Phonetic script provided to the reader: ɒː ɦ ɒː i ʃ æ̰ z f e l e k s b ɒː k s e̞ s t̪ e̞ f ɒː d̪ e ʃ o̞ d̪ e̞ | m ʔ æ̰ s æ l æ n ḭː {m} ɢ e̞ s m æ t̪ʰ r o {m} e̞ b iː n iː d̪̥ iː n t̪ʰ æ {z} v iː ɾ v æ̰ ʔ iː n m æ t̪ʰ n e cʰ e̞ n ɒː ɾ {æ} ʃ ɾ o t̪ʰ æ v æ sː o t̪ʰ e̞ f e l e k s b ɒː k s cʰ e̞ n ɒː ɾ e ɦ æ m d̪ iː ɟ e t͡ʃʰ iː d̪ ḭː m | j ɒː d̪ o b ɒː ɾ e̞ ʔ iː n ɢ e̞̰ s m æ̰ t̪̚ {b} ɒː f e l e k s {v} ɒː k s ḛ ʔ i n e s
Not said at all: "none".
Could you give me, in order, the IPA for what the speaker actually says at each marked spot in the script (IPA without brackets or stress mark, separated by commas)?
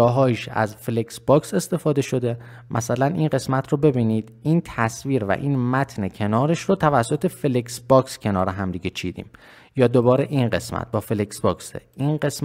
n, b, s, e, b, b